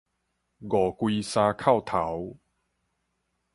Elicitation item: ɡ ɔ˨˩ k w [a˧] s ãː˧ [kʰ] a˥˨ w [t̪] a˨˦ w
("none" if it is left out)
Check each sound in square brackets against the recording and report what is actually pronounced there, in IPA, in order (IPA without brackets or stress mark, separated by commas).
i˧, kʰ, t̪ʰ